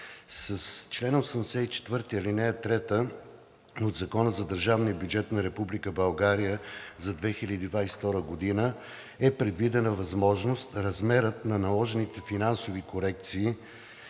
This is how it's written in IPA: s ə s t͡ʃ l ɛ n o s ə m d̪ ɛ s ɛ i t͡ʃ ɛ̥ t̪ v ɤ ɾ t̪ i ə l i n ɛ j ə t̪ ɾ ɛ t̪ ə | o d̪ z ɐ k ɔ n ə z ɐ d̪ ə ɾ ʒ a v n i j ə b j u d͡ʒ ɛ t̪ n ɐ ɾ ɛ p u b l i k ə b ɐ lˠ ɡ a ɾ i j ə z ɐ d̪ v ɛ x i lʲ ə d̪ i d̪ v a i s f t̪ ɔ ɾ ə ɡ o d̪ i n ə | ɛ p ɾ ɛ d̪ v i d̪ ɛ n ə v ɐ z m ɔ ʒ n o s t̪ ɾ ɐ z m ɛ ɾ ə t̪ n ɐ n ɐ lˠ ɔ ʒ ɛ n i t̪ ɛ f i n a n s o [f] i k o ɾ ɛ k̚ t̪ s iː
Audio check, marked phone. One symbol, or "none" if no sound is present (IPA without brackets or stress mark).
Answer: v